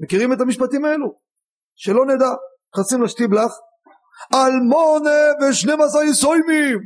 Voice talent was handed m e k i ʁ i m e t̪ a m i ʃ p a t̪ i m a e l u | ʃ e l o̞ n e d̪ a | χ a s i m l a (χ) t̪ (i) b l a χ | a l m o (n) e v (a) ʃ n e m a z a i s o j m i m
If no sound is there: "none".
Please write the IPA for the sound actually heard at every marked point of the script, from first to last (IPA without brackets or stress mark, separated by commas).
ʃ, i, n, e